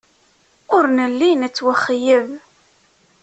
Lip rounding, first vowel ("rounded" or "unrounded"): rounded